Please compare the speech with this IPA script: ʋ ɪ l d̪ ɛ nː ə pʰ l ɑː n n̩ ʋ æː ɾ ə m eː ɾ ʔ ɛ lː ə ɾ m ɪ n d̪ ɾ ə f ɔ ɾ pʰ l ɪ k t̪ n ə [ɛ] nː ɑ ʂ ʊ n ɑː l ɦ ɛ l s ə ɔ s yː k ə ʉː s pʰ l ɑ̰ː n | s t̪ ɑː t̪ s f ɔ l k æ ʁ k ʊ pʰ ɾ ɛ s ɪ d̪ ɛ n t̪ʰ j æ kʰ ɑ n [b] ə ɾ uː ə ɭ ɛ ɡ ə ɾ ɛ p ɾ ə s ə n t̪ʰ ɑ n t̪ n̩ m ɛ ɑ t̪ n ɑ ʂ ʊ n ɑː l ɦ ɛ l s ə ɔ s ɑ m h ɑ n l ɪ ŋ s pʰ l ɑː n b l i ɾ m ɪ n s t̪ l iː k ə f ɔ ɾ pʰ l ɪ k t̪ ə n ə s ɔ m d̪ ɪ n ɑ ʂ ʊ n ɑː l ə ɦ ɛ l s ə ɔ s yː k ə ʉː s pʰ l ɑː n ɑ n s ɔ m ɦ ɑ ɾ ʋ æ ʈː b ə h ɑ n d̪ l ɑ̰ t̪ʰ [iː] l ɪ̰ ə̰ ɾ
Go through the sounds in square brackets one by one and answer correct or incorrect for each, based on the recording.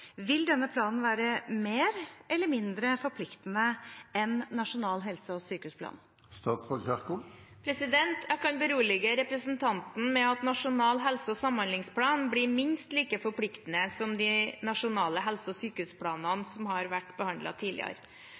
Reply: correct, correct, correct

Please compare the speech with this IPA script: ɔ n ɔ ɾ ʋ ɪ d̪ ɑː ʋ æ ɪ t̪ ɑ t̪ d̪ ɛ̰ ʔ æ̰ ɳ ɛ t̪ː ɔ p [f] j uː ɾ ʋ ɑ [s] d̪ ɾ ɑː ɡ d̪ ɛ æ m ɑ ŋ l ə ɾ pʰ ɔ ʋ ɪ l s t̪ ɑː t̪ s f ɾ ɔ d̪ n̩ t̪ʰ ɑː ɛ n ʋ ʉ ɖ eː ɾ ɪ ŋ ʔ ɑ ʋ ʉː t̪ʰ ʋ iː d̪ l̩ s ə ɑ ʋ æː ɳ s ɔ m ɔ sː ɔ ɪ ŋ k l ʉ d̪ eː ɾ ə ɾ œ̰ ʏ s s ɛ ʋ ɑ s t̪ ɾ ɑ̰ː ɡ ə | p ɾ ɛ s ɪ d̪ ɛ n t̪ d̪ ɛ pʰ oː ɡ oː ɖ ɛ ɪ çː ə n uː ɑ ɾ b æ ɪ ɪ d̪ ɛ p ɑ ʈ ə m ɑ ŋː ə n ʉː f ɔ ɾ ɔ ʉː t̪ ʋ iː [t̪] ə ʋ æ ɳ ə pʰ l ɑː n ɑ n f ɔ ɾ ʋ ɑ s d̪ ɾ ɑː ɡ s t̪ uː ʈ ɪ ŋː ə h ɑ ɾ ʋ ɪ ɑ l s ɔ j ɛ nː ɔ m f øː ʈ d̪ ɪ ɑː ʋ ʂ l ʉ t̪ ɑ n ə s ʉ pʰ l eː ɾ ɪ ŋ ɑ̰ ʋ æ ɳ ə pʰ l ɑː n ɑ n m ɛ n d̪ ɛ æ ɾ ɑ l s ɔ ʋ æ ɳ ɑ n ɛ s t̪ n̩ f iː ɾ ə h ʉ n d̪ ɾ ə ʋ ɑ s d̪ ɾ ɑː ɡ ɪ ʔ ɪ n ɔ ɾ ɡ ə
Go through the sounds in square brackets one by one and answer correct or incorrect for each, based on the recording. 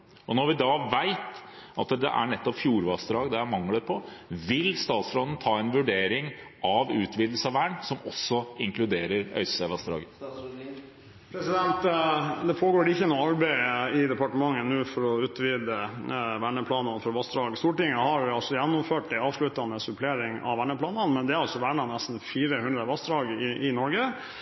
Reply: correct, correct, incorrect: d̪

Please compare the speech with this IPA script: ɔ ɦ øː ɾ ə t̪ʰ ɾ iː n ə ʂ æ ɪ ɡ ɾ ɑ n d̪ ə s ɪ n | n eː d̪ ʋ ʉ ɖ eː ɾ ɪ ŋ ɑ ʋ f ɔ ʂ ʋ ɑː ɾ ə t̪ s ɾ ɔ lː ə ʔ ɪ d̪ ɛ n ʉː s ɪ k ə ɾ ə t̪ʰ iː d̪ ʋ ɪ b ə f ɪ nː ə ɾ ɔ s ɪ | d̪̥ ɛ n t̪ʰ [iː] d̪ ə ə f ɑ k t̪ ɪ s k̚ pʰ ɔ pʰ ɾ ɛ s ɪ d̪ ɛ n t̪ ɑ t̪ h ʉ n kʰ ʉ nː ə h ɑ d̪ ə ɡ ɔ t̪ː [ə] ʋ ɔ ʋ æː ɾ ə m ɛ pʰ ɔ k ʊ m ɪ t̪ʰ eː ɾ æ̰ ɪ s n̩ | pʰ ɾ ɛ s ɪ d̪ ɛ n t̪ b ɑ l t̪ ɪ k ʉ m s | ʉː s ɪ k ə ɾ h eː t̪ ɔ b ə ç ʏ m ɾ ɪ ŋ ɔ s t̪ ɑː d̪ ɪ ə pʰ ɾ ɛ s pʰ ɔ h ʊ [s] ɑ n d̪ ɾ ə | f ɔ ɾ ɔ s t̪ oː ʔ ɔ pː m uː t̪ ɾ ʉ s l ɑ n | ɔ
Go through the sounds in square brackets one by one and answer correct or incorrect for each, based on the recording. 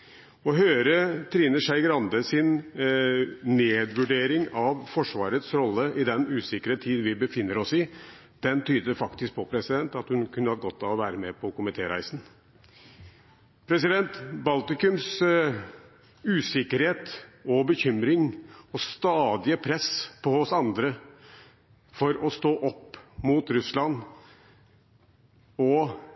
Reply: incorrect: yː, incorrect: ɑ, correct

